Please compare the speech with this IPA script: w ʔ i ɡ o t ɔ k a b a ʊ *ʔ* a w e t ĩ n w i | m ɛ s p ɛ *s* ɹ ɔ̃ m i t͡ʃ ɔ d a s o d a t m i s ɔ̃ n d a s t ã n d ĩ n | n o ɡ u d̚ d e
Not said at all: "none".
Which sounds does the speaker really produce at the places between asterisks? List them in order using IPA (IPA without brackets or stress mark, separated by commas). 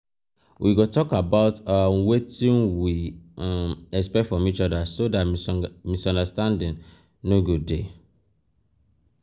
t, f